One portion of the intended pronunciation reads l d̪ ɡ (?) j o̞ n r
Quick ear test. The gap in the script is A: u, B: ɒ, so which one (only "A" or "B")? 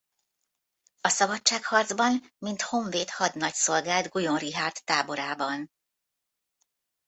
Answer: A